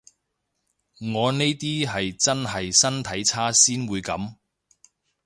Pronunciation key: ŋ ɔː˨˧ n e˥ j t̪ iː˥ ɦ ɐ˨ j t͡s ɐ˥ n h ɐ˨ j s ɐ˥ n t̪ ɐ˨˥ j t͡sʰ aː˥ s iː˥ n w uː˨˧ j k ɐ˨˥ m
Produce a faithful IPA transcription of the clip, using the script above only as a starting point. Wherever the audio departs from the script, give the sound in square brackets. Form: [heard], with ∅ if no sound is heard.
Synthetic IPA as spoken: ŋ ɔː˨˧ n e˥ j t̪ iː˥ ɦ ɐ˨ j t͡s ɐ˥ n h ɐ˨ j s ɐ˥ n [t̪ʰ] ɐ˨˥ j t͡sʰ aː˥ s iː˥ n w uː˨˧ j k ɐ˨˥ m